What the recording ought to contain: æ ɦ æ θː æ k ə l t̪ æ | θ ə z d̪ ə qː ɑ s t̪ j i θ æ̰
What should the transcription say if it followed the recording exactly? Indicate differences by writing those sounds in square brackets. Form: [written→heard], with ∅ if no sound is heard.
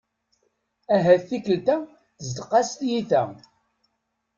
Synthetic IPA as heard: æ ɦ æ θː [æ→i] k ə l t̪ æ | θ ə z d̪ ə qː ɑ s t̪ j i θ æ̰